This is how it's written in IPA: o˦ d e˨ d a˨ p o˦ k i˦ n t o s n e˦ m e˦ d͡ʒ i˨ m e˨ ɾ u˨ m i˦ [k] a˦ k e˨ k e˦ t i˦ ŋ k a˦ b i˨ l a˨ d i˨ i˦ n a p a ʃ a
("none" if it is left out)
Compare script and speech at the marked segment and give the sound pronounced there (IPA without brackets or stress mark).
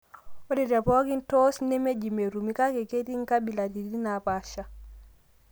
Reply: k